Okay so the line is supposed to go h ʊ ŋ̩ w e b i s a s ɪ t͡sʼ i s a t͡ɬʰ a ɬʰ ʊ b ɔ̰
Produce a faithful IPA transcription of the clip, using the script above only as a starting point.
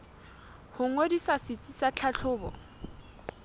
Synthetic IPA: h ʊ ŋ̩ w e d i s a s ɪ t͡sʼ i s a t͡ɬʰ a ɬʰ ʊː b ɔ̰